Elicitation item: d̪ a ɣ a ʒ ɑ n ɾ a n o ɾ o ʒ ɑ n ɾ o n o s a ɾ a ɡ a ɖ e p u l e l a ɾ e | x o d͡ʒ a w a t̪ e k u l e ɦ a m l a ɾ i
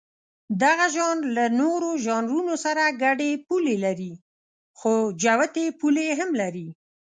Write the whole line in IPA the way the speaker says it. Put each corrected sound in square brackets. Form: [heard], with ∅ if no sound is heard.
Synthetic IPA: d̪ a ɣ a ʒ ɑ n [l] a n o ɾ o ʒ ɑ n ɾ [u] n o s a ɾ a ɡ a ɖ e p u l e l a ɾ [i] | x o d͡ʒ a w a t̪ e [p] u l e ɦ a m l a ɾ i

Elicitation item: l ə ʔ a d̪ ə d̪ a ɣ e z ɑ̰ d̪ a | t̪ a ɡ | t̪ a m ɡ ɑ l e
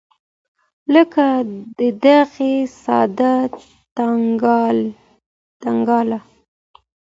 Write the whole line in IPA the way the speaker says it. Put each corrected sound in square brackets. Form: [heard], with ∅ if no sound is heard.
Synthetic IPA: l ə [k] a d̪ ə d̪ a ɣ e [s] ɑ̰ d̪ a | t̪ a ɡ | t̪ a [ŋ] ɡ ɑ l [a]

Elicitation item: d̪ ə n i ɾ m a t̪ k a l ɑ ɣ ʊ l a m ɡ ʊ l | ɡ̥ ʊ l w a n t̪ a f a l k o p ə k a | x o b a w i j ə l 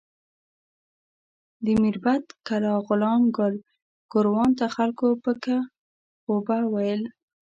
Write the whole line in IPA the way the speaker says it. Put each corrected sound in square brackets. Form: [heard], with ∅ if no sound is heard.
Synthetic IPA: d̪ ə [m] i ɾ [b] a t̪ k a l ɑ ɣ ʊ l [ɑ] m ɡ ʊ l | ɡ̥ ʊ [ɾ] w [ɑ] n t̪ a [x] a l k o p ə k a | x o b a w [a] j ə l

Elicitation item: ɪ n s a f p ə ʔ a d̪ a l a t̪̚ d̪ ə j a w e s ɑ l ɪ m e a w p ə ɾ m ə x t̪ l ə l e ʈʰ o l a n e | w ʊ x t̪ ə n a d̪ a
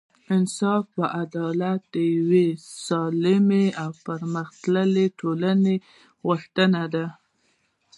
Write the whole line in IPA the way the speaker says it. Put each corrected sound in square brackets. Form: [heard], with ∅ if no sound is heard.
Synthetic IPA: ɪ n s [ɑ] f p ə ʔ a d̪ [ɑ] l a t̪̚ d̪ ə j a w e s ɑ l ɪ m e a w p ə ɾ m ə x t̪ l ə l e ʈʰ o l a n e | [ɣ] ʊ x t̪ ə n a d̪ a

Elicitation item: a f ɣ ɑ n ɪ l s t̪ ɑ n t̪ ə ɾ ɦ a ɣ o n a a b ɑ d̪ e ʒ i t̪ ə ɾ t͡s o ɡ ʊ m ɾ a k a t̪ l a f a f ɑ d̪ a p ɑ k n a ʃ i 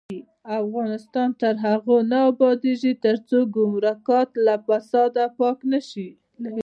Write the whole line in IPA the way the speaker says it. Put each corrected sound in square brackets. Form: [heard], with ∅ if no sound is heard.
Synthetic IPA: a f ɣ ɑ n ɪ [∅] s t̪ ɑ n t̪ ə ɾ ɦ a ɣ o n a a b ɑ d̪ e ʒ i t̪ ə ɾ t͡s o ɡ ʊ m ɾ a k [ɑ] t̪ l a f a [s] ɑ d̪ a p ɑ k n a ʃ i

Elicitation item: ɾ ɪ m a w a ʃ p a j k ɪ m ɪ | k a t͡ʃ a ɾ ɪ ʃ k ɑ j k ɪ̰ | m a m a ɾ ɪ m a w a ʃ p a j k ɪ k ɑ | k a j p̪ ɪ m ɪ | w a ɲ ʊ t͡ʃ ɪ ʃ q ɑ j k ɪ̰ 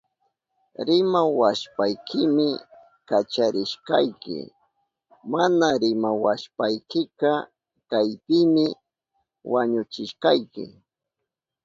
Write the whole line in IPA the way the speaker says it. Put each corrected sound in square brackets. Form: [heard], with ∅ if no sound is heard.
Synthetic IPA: ɾ ɪ m a w a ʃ p a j k ɪ m ɪ | k a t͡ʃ a ɾ ɪ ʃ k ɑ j k ɪ̰ | m a [n] a ɾ ɪ m a w a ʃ p a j k ɪ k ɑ | k a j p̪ ɪ m ɪ | w a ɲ ʊ t͡ʃ ɪ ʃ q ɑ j k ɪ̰

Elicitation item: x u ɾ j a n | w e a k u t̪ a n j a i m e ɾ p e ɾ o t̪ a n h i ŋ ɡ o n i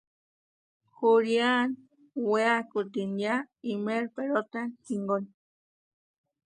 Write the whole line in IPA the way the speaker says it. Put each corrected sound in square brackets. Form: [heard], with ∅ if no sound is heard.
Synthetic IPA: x u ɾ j a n | w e a k u t̪ [i] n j a i m e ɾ p e ɾ o t̪ a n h i ŋ ɡ o n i

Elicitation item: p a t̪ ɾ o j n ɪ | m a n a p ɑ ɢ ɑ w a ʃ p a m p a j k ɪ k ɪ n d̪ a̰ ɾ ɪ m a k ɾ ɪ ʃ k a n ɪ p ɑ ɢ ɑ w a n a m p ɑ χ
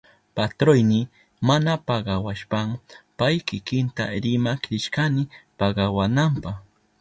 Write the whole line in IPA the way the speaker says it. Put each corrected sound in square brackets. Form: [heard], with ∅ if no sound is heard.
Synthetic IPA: p a t̪ ɾ o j n ɪ | m a n a p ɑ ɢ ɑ w a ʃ p a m p a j k ɪ k ɪ n [t̪] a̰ ɾ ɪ m a k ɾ ɪ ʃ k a n ɪ p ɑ ɢ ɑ w a n a m p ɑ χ

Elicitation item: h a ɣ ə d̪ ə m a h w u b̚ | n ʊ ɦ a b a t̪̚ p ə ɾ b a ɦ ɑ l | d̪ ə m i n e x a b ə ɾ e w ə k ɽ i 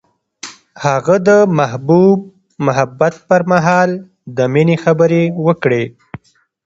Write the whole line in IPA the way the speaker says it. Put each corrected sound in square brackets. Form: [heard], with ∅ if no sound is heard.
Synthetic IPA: h a ɣ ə d̪ ə m a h [b] u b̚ | [m] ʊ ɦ a b a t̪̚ p ə ɾ [m] a ɦ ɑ l | d̪ ə m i n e x a b ə ɾ e w ə k ɽ [e]

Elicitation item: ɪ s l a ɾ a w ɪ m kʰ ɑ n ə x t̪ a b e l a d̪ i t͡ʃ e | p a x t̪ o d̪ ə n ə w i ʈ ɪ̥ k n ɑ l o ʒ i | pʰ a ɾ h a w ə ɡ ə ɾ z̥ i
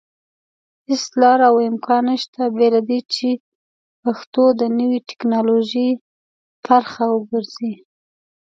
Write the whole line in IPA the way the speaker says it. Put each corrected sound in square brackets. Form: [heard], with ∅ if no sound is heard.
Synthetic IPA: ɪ s l [ɑ] ɾ a w ɪ m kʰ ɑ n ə [ʃ] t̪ a b e l a d̪ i t͡ʃ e | p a x t̪ o d̪ ə n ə w i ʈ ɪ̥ k n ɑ l o ʒ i | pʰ a ɾ [x] a w ə ɡ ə ɾ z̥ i

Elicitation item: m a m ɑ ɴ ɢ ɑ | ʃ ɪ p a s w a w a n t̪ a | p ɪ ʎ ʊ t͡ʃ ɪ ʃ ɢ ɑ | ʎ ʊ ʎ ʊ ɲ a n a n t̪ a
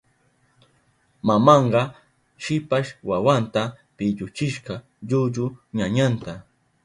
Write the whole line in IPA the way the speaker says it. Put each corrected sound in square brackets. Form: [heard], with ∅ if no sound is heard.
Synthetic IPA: m a m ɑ ɴ ɢ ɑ | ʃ ɪ p a [ʃ] w a w a n t̪ a | p ɪ ʎ ʊ t͡ʃ ɪ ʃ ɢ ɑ | ʎ ʊ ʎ ʊ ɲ a [ɲ] a n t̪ a

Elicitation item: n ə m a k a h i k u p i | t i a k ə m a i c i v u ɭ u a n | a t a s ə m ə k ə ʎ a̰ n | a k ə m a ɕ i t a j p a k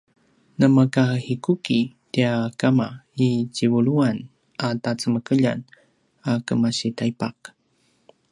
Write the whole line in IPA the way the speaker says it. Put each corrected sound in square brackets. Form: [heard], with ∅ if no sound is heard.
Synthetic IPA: n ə m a k a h i k u [k] i | t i a k [a] m a i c i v u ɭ u a n | a t a [t͡s] ə m ə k ə ʎ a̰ n | a k ə m a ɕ i t a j p a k

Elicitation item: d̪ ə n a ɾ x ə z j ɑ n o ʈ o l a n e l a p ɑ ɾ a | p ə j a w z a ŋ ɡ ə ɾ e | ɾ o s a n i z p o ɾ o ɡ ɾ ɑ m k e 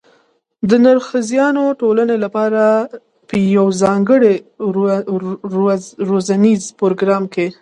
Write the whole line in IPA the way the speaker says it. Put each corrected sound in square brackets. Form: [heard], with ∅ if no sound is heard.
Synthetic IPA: d̪ ə n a ɾ x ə z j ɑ n o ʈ o l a n e l a p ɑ ɾ a | p ə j a w z [ɑ] ŋ ɡ ə [ɽ] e | ɾ o [z] a n i z p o ɾ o ɡ ɾ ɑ m k e

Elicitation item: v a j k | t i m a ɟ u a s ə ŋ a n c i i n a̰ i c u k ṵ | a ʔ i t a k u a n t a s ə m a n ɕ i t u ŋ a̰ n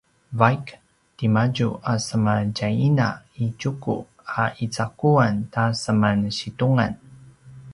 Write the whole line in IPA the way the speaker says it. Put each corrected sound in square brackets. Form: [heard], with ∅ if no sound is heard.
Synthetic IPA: v a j k | t i m a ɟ u a s ə [m] a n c [a] i n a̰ i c u k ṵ | a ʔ i [t͡s] a k u a n t a s ə m a n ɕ i t u ŋ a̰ n

